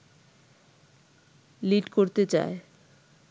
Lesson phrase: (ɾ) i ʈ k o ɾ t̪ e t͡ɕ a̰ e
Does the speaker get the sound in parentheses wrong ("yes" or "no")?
yes